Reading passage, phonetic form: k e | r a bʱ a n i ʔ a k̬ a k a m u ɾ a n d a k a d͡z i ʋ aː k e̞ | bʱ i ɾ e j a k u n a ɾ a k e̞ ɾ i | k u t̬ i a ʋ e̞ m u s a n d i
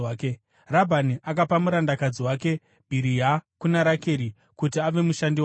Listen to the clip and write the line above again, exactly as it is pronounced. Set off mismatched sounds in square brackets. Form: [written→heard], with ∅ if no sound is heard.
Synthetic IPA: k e | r a bʱ a n i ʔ a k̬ a [k→p] a m u ɾ a n d a k a d͡z i [ʋ→w] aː k e̞ | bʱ i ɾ [e→i] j a k u n a ɾ a k e̞ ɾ i | k u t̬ i a ʋ e̞ m u [s→ʃ] a n d i